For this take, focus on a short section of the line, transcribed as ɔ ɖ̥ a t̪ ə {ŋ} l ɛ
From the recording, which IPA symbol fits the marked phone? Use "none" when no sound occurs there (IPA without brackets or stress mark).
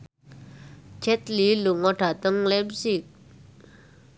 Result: ŋ